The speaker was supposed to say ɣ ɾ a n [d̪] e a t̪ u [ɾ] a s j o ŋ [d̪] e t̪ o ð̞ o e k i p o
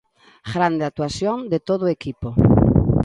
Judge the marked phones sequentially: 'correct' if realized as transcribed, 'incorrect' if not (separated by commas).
correct, incorrect, correct